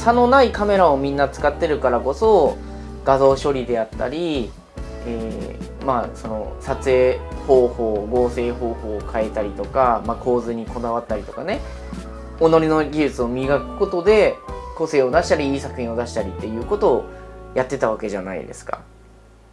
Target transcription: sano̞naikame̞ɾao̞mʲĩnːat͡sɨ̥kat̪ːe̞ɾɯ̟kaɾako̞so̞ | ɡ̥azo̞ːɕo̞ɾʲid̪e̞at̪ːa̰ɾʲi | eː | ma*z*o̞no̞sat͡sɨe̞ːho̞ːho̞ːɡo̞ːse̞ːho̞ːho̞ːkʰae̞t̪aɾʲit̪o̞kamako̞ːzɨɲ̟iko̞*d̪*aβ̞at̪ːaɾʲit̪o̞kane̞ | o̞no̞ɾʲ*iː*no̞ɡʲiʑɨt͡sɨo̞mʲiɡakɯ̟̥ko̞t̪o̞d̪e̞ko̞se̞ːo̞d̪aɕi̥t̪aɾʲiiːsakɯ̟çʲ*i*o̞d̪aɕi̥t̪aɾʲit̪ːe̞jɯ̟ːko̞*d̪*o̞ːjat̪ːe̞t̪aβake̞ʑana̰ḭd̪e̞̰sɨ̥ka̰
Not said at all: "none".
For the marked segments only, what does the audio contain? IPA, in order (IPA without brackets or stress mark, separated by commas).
s, d̪, i, ĩ, t̪